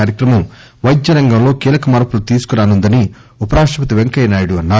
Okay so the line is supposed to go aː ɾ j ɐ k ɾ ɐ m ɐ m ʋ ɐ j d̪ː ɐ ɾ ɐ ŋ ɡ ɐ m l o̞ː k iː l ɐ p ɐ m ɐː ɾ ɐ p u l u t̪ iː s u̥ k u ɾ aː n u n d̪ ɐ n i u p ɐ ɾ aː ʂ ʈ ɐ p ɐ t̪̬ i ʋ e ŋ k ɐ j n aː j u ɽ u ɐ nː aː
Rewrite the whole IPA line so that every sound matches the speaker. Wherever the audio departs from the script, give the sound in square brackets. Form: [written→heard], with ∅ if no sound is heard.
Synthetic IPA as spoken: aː ɾ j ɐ k ɾ ɐ m ɐ m ʋ ɐ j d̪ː ɐ ɾ ɐ ŋ ɡ ɐ m l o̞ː k iː l ɐ [p→k] ɐ m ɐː ɾ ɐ p u l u t̪ iː s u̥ k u ɾ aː n u n d̪ ɐ n i u p ɐ ɾ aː ʂ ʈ ɐ p ɐ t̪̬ i ʋ e ŋ k ɐ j n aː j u ɽ u ɐ nː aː